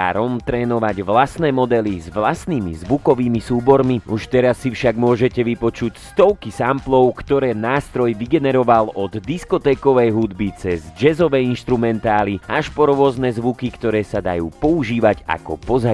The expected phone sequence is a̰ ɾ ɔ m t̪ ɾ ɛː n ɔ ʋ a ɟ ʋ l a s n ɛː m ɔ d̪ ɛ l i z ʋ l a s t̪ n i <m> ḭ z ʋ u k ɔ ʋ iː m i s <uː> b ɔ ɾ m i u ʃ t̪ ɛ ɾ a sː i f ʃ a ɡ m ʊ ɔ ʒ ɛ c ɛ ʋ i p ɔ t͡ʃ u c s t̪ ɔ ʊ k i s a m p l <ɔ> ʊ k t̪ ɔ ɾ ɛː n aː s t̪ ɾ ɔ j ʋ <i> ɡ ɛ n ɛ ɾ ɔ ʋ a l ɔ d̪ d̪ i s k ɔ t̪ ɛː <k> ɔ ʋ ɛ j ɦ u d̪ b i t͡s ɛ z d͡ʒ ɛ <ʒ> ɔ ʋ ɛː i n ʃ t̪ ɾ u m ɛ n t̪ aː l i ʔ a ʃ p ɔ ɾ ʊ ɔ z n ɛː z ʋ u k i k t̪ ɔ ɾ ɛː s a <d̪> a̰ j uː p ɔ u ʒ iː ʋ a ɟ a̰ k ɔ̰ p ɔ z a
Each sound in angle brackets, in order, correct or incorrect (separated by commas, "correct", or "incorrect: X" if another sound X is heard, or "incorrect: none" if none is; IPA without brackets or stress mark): correct, correct, correct, correct, correct, incorrect: z, correct